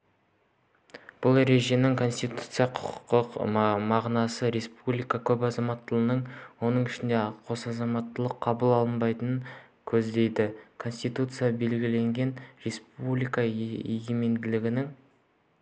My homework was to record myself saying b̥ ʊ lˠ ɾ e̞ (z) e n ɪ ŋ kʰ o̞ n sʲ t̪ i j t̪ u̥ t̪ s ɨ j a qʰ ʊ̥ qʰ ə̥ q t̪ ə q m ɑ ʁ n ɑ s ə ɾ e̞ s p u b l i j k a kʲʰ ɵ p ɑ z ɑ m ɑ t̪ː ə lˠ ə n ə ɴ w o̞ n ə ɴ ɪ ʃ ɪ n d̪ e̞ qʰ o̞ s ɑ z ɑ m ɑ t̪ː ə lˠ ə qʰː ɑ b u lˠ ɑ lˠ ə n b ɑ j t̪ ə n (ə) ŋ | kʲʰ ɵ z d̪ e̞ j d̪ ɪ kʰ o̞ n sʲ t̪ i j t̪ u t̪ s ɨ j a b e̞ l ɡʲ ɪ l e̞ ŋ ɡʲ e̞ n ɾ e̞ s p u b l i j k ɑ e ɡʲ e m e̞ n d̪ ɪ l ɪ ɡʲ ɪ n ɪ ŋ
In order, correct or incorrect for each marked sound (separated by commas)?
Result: incorrect, correct